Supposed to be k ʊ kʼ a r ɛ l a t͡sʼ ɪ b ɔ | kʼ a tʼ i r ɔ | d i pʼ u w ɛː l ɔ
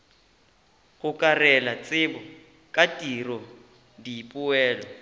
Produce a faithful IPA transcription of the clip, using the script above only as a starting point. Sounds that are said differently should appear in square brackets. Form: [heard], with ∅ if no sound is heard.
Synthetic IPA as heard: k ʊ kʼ a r ɛ l a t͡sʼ ɪ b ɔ | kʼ a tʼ i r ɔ | d i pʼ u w ɛː l ɔ